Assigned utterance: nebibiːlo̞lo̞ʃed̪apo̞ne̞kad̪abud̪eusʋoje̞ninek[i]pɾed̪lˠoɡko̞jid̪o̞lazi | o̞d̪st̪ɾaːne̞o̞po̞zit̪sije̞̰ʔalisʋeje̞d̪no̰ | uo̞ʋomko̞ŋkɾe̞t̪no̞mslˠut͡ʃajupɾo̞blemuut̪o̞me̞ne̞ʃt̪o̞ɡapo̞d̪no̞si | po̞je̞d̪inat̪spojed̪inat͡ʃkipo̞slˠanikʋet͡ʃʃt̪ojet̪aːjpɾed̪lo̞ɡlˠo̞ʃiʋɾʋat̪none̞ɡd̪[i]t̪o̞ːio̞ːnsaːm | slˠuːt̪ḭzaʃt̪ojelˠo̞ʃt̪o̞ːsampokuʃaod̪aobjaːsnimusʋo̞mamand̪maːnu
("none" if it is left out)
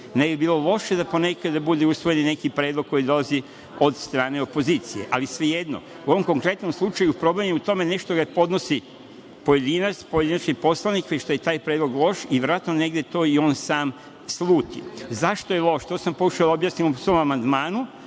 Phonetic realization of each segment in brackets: i, e

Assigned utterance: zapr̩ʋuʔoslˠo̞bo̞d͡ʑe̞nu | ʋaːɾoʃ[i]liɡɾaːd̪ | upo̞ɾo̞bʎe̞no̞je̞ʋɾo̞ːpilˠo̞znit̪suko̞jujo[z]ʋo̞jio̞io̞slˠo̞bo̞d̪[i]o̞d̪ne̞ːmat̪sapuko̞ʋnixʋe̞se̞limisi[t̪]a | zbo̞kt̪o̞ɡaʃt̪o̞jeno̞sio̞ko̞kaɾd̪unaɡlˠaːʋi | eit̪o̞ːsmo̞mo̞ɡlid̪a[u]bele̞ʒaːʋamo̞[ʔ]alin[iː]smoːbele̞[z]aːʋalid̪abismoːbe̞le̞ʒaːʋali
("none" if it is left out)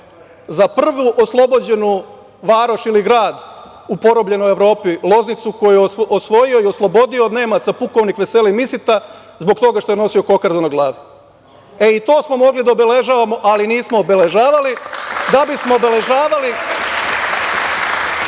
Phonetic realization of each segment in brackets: i, s, i, t̪, o, ʔ, iː, ʒ

